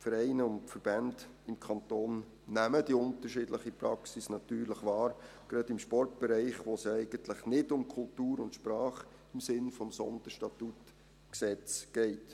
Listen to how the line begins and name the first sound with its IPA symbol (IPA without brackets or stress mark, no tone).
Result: f